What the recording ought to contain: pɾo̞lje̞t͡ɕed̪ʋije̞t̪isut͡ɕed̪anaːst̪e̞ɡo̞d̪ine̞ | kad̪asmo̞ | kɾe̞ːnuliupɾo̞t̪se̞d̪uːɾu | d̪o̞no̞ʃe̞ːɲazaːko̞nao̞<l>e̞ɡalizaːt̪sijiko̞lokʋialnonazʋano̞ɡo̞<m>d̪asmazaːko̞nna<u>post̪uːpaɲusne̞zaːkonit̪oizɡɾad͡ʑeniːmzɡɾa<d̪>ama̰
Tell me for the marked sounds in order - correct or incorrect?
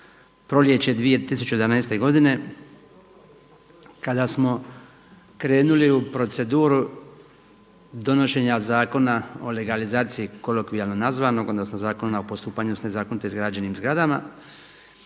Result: correct, incorrect: n, incorrect: o, correct

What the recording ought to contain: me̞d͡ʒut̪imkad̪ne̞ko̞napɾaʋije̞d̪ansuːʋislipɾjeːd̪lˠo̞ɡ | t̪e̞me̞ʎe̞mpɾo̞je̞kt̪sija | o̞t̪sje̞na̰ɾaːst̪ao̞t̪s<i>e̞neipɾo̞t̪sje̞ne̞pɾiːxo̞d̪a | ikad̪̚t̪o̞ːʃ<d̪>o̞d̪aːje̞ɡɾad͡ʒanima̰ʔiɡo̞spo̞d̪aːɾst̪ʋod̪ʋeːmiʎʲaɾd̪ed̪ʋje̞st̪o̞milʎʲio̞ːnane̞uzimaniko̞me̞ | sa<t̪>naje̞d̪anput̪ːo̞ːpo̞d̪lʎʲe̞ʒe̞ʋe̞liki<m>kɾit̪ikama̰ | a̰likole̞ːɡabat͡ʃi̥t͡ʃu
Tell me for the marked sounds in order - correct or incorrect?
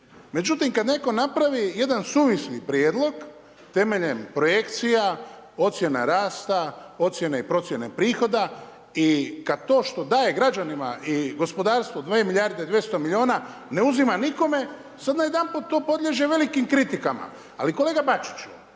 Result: incorrect: j, incorrect: t̪, incorrect: d̪, correct

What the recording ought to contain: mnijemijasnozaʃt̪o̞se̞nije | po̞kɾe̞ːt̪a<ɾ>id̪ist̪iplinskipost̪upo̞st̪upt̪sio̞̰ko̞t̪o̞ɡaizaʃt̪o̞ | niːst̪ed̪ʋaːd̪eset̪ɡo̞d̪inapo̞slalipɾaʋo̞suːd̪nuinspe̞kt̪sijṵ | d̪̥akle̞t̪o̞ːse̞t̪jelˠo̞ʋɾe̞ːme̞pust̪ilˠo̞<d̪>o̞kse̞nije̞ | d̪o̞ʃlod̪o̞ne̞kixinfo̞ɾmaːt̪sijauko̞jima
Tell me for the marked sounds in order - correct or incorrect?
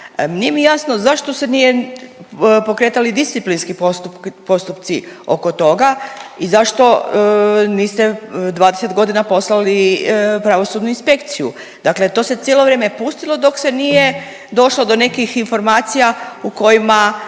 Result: incorrect: l, correct

